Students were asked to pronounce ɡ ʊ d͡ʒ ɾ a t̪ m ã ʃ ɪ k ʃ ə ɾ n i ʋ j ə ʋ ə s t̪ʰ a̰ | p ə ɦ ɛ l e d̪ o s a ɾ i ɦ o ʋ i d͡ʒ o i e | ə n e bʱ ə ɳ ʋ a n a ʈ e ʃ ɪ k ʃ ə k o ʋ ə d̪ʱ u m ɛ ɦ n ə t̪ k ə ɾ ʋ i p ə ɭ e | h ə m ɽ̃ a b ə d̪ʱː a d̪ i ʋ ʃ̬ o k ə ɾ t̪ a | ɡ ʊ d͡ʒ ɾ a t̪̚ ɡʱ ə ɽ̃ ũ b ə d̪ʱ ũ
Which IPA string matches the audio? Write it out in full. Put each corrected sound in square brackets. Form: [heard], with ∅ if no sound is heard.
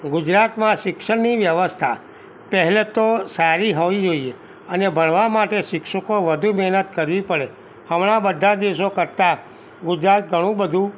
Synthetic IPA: ɡ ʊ d͡ʒ ɾ a t̪ m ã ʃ ɪ k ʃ ə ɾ n i ʋ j ə ʋ ə s t̪ʰ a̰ | p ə ɦ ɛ l e [t̪] o s a ɾ i ɦ o ʋ i d͡ʒ o i e | ə n e bʱ ə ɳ ʋ a [m] a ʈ e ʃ ɪ k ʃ ə k o ʋ ə d̪ʱ u m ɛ ɦ n ə t̪ k ə ɾ ʋ i p ə ɭ e | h ə m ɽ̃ a b ə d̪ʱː a d̪ i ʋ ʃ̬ o k ə ɾ t̪ a | ɡ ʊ d͡ʒ ɾ a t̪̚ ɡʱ ə ɽ̃ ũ b ə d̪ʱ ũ